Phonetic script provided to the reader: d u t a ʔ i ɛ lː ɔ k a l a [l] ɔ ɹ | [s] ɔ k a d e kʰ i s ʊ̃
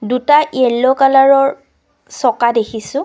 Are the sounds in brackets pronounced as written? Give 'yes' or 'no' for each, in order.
no, yes

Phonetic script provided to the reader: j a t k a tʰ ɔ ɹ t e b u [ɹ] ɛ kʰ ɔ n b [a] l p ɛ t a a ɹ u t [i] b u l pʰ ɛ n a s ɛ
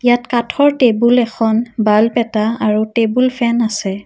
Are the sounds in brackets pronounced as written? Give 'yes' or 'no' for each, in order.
no, yes, no

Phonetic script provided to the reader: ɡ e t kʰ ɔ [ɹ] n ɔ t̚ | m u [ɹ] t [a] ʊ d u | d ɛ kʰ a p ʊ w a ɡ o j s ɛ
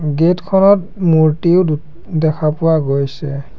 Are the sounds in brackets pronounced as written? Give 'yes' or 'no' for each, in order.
no, yes, no

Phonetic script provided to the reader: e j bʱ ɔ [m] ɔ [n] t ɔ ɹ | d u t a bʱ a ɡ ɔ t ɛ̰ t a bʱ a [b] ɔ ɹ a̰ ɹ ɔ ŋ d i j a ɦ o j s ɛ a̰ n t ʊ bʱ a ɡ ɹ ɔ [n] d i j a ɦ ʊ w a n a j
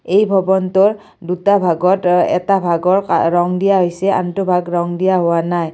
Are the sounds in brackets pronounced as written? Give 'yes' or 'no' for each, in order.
no, yes, no, no

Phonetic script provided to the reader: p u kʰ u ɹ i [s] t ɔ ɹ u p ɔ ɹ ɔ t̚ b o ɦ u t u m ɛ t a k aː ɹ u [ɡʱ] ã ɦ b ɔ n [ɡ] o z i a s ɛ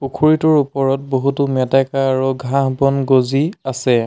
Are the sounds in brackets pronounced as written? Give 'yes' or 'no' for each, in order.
no, yes, yes

